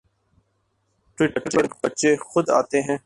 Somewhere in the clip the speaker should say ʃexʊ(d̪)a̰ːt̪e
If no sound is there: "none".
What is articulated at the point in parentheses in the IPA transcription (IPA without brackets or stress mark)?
d̪